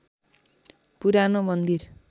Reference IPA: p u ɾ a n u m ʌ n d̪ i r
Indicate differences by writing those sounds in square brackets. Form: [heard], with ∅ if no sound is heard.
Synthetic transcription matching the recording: p u ɾ a n [o] m ʌ n d̪ i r